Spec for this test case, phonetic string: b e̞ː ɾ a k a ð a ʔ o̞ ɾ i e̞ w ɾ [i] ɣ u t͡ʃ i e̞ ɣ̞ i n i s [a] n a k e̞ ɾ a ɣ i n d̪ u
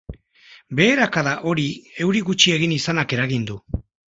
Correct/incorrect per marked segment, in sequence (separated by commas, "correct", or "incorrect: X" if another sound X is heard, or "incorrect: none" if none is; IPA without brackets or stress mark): correct, correct